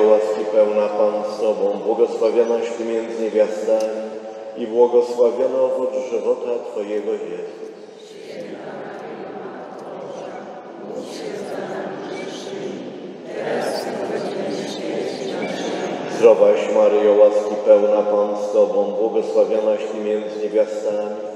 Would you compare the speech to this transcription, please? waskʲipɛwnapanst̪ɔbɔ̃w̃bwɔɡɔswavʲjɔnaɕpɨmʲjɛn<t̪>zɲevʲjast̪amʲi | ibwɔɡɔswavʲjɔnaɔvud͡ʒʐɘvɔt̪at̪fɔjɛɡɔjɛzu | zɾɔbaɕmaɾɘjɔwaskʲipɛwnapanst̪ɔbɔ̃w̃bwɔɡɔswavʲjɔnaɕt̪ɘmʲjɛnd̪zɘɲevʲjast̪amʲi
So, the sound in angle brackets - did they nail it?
no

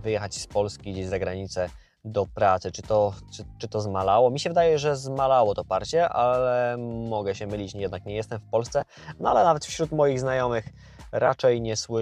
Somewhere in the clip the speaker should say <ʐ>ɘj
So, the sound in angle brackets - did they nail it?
no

